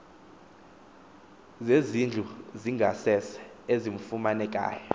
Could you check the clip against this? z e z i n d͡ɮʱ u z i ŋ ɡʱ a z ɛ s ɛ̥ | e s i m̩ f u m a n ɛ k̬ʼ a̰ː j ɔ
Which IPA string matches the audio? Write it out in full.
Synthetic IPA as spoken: z e z i n d͡ɮʱ u z i ŋ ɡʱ a s ɛ s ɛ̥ | e z i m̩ f u m a n ɛ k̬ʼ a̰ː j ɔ